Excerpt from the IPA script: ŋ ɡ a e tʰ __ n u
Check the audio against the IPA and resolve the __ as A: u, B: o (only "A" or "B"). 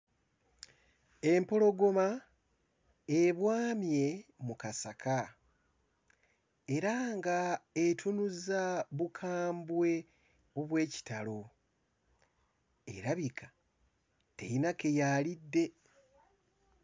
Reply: A